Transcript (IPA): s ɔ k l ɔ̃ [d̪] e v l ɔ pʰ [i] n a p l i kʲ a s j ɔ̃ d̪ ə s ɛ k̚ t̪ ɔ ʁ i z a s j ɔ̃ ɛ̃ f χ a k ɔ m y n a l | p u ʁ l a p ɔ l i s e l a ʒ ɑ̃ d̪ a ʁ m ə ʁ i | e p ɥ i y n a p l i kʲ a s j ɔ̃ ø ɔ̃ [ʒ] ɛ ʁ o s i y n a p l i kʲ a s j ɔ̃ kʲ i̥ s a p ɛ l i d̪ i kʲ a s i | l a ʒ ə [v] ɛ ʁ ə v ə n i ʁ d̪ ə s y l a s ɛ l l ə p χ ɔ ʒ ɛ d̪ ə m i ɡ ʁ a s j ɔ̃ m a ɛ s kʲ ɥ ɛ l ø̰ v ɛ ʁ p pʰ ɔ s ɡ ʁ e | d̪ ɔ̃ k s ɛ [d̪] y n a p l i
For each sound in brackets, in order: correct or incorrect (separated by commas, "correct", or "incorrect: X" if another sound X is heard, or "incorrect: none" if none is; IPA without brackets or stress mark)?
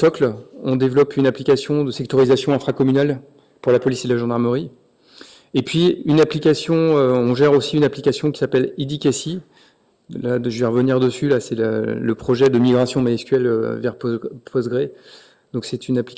correct, incorrect: y, correct, correct, incorrect: t̪